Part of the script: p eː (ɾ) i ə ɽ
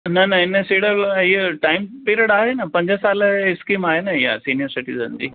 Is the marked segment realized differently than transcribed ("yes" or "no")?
no